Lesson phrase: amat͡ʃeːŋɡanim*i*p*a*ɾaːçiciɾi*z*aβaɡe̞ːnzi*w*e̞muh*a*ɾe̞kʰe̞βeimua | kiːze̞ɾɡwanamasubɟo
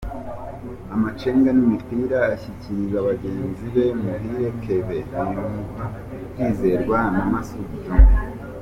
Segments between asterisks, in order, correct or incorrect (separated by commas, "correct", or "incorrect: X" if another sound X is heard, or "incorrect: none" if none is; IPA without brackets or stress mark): correct, incorrect: i, correct, incorrect: β, incorrect: i